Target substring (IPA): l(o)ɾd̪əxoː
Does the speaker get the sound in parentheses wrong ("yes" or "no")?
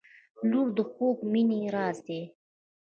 yes